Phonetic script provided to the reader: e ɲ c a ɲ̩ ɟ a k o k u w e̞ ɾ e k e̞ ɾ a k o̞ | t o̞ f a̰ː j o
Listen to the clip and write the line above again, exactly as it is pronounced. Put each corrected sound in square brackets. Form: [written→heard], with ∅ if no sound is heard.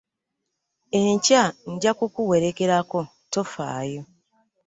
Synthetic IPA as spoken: e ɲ c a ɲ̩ ɟ a k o k u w e̞ ɾ e k e̞ ɾ a k o̞ | t o̞ f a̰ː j o